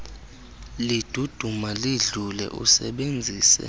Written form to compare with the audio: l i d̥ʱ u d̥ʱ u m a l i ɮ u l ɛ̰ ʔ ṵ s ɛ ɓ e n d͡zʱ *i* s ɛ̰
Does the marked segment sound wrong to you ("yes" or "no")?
yes